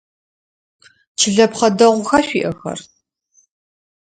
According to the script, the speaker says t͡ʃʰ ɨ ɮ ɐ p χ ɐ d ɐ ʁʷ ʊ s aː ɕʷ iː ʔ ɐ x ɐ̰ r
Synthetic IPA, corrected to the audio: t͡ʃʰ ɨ ɮ ɐ p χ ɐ d ɐ ʁʷ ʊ x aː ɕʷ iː ʔ ɐ x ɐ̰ r